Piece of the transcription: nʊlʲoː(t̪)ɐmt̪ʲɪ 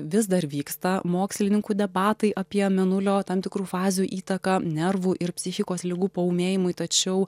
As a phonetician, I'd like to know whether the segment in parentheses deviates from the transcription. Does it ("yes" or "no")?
no